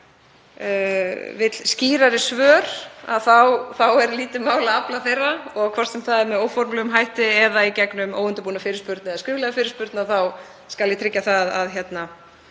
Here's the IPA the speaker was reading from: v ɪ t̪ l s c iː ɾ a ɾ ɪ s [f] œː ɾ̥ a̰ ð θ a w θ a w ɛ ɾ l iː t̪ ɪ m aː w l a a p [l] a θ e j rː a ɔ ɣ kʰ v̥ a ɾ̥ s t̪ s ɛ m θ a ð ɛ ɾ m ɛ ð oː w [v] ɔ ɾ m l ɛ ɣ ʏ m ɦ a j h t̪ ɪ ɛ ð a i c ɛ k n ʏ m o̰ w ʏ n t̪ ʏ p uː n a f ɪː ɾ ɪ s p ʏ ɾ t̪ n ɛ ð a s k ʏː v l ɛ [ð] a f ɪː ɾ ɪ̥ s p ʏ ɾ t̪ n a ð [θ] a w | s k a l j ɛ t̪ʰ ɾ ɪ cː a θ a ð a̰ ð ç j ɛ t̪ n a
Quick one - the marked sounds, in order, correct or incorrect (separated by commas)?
incorrect, correct, incorrect, incorrect, correct